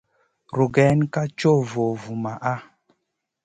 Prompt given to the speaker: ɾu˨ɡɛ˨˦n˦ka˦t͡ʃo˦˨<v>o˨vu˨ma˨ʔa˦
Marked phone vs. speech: correct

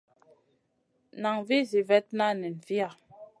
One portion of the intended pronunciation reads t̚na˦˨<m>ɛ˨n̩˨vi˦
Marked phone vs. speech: incorrect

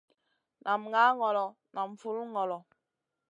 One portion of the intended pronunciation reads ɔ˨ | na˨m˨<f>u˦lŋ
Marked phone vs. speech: correct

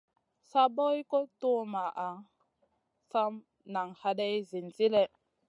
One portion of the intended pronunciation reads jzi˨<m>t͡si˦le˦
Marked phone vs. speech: incorrect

